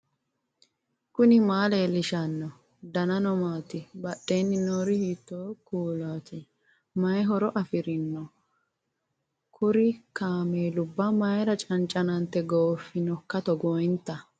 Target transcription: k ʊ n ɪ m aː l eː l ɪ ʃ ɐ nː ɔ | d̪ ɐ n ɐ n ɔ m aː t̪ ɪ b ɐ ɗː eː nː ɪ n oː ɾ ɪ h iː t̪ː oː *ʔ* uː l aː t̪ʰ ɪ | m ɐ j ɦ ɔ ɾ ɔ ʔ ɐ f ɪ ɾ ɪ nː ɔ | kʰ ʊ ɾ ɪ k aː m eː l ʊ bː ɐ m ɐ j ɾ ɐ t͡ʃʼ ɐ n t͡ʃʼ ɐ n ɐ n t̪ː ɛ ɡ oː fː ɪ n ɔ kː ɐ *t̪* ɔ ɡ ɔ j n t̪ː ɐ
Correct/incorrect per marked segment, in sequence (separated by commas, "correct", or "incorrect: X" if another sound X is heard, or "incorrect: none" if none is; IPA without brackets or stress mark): incorrect: k, correct